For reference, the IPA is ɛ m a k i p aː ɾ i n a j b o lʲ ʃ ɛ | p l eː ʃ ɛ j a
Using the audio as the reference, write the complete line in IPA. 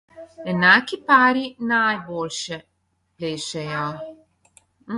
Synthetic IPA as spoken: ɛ n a k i p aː ɾ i n a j b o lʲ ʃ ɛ | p l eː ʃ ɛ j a